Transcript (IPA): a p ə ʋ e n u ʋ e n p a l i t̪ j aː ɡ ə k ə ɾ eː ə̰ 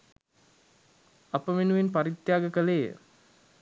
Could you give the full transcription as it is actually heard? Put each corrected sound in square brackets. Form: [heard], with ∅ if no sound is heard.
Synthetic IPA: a p ə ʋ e n u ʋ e n p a [ɾ] i t̪ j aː ɡ ə k ə [l] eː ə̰